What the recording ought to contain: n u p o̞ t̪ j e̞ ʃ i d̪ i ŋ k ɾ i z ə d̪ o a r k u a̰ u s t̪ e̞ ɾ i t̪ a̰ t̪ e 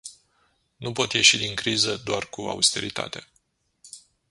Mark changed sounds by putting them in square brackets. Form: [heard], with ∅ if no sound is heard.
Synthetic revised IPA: n u p o̞ t̪ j e̞ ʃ i d̪ i ŋ k ɾ i z ə d̪ o a r k u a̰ u s t̪ e̞ ɾ i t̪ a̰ t̪ e